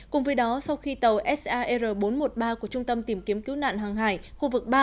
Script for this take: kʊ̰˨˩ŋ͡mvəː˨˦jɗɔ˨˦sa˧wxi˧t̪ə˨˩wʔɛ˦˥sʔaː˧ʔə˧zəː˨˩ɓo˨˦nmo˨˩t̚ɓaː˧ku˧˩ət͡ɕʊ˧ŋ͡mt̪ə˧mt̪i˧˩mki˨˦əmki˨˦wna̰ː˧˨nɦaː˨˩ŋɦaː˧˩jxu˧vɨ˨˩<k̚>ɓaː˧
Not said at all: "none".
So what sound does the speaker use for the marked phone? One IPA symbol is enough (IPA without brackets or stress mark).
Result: k̚